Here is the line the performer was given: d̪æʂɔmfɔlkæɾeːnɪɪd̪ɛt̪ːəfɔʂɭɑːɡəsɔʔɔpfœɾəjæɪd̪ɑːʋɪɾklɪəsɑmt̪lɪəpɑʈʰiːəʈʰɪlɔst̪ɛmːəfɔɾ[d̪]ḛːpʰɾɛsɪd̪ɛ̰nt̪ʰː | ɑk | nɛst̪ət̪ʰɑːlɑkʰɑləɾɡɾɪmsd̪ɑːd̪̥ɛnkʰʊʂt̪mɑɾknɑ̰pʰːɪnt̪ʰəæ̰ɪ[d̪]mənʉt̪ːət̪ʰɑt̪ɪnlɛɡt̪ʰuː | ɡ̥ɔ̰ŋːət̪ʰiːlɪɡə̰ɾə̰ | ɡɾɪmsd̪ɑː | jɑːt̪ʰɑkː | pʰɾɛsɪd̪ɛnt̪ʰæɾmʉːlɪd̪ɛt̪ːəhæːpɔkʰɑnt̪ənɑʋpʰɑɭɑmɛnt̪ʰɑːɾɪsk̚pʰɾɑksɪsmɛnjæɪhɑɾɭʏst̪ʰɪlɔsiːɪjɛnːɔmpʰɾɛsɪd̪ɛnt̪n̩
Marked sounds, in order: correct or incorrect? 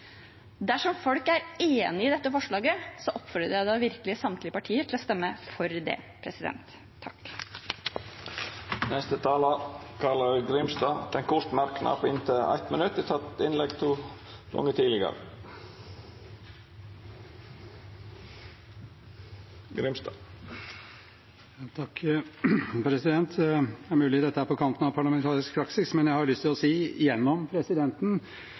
correct, incorrect: t̪

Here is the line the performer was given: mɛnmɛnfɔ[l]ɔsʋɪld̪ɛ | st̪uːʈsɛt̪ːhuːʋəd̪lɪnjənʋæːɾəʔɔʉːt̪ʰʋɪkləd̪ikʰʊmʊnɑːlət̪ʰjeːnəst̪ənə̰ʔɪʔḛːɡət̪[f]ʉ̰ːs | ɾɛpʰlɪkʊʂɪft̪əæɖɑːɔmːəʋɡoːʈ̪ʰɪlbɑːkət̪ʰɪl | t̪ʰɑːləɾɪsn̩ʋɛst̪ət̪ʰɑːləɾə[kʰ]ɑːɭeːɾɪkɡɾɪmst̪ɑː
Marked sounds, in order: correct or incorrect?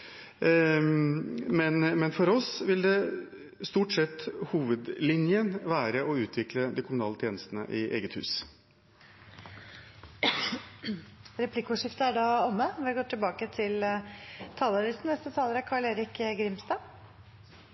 incorrect: ɾ, incorrect: h, correct

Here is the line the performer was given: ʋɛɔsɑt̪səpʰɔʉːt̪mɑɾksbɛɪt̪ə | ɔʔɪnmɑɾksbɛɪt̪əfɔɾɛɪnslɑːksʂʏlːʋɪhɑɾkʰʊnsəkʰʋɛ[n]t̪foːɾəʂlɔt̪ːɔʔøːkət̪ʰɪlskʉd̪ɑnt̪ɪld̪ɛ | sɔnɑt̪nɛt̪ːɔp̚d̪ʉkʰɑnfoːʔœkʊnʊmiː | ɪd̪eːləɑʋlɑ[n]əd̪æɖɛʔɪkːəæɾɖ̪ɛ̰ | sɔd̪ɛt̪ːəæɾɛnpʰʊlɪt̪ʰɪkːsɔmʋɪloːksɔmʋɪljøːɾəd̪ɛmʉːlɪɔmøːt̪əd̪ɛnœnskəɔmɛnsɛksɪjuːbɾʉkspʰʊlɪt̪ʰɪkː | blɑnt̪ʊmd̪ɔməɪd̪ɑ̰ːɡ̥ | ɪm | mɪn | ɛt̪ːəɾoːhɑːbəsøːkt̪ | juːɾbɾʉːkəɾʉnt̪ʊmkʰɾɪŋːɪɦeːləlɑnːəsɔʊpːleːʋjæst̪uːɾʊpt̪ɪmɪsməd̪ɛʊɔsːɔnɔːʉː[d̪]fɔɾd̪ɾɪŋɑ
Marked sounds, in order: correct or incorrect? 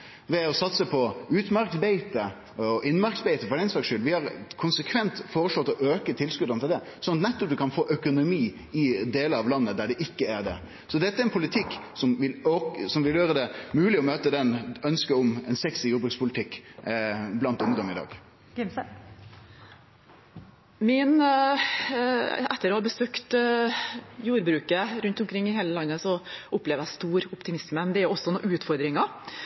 correct, incorrect: nː, incorrect: t̪

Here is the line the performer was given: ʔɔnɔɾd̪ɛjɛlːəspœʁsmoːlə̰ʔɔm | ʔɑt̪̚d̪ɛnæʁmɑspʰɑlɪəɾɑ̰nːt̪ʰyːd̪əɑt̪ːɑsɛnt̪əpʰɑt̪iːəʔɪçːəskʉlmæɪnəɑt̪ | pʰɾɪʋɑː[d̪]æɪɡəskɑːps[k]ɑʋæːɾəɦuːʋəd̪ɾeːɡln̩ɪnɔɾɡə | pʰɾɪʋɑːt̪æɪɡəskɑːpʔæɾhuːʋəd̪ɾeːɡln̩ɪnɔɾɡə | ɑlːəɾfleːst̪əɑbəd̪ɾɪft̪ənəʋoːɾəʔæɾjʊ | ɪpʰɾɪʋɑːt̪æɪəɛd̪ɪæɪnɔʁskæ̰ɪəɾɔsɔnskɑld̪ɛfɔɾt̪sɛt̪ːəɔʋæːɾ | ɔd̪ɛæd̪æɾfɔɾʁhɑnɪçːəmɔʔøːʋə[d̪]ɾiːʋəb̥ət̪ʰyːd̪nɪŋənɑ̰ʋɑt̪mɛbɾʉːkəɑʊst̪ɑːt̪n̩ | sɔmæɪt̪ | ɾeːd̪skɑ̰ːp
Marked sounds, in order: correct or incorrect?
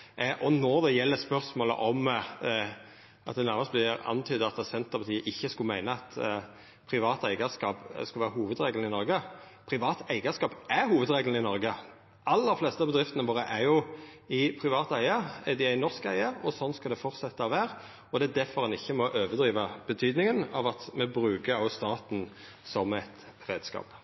incorrect: t̪, correct, correct

